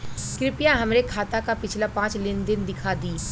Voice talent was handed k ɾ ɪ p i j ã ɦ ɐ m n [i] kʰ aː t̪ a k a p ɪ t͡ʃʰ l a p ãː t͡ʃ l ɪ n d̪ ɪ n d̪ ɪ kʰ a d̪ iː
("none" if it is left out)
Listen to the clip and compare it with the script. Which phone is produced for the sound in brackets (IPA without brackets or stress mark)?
e